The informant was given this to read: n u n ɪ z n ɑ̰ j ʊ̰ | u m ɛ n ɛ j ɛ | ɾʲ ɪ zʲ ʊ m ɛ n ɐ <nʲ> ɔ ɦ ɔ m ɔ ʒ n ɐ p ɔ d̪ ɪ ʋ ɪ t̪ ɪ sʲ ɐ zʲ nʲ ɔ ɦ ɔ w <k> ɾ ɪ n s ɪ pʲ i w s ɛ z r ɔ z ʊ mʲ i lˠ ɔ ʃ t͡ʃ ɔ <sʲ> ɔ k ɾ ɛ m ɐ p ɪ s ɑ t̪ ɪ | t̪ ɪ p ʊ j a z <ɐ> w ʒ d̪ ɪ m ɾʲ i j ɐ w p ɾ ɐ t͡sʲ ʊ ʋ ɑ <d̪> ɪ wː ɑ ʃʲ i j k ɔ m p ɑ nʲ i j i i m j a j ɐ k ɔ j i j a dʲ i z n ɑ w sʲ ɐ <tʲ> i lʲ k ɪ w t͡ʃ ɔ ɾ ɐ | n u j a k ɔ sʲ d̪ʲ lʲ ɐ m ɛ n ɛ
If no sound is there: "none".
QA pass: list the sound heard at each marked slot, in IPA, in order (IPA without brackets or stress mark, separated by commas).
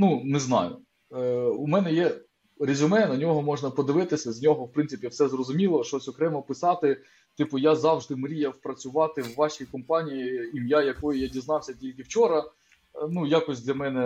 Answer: nʲ, p, sʲ, ɑ, t̪, tʲ